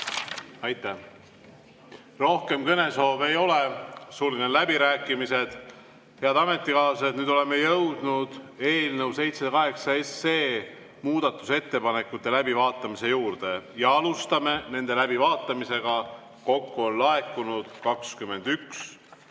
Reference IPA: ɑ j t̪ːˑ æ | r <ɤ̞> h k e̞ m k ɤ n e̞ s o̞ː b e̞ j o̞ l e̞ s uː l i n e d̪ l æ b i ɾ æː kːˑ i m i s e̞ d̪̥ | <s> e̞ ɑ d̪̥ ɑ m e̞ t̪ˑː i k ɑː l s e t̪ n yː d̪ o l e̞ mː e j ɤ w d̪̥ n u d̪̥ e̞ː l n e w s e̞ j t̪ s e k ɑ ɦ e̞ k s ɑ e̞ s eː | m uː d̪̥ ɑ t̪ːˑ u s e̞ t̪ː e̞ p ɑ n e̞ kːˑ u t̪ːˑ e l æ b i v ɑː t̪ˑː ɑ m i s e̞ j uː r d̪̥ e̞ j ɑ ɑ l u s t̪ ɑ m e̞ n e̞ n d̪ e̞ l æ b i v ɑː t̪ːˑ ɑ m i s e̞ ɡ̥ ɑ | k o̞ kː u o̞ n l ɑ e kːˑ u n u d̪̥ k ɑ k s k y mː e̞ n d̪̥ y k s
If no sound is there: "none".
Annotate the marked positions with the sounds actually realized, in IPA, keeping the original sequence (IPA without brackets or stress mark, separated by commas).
o̞, h